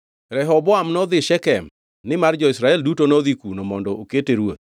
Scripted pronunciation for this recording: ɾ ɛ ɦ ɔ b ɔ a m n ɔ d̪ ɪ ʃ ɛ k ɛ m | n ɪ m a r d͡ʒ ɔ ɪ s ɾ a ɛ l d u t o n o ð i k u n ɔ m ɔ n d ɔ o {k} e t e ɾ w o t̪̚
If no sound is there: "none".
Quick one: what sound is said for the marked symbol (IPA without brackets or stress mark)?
k